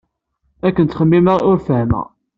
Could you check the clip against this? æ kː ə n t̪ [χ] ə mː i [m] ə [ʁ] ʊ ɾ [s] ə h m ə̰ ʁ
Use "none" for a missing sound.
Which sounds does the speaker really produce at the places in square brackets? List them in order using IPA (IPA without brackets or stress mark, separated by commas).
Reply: χ, m, ʁ, f